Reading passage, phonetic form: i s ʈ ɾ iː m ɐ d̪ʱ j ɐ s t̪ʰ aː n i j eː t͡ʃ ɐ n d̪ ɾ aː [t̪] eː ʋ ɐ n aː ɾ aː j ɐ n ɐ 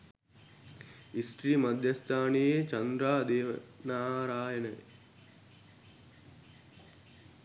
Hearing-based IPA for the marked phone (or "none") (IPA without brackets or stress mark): d̪